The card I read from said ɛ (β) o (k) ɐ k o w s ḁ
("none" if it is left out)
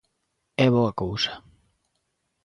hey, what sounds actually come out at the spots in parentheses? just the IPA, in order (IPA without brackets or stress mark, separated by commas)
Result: β, none